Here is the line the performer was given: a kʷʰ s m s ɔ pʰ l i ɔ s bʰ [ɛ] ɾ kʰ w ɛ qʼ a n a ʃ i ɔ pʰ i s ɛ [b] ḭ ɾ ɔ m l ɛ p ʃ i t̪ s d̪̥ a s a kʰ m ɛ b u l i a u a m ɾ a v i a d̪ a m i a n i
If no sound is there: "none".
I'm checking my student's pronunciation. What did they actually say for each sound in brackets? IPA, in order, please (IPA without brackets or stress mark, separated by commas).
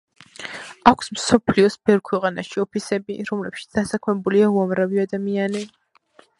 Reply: ɛ, b